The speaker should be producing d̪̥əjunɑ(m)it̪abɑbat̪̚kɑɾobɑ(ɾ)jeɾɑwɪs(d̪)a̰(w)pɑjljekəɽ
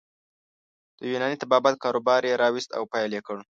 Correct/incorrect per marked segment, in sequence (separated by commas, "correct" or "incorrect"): incorrect, correct, incorrect, correct